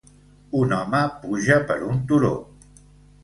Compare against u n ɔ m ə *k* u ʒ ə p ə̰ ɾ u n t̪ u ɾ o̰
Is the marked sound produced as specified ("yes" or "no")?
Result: no